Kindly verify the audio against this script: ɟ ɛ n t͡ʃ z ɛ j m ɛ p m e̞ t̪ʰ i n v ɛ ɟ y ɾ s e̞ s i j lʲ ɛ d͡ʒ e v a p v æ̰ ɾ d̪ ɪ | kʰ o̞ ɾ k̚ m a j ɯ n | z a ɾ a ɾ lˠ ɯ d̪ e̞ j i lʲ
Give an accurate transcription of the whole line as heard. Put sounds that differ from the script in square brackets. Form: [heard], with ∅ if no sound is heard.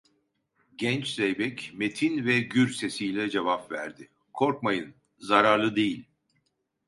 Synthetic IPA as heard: ɟ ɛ n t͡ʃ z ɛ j [b] ɛ [c] m e̞ t̪ʰ i n v ɛ ɟ y ɾ s e̞ s i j lʲ ɛ d͡ʒ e v a p v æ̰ ɾ d̪ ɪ | kʰ o̞ ɾ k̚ m a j ɯ n | z a ɾ a ɾ lˠ ɯ d̪ e̞ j i lʲ